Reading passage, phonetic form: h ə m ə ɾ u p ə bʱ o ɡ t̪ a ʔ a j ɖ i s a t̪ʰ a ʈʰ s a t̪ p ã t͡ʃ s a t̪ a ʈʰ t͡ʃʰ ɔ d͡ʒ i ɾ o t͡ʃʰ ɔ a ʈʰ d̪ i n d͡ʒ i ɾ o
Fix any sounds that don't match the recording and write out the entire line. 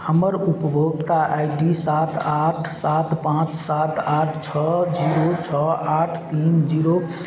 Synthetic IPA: h ə m ə ɾ u p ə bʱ o ɡ t̪ a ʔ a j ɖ i s a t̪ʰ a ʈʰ s a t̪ p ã t͡ʃ s a t̪ a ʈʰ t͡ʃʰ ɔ d͡ʒ i ɾ o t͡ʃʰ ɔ a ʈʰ t̪ i n d͡ʒ i ɾ o

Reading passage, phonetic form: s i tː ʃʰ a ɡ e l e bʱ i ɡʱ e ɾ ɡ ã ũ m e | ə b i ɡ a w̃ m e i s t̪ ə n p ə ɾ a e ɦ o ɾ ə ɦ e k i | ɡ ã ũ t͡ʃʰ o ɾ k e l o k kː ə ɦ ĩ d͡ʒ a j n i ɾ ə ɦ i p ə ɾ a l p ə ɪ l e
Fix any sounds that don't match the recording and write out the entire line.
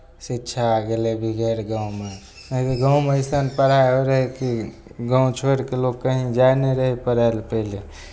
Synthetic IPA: s i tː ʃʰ a ɡ e l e bʱ i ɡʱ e ɾ ɡ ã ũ m e | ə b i ɡ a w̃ m e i s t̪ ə n p ə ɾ a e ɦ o ɾ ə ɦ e k i | ɡ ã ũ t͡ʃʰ o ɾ k e l o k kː ə ɦ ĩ d͡ʒ a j n e ɾ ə ɦ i p ə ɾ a l p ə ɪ l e

